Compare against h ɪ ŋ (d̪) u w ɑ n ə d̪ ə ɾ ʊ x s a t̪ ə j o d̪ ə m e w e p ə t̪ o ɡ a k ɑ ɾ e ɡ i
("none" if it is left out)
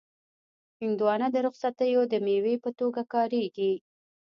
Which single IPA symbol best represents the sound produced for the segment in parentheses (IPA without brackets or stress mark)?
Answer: d̪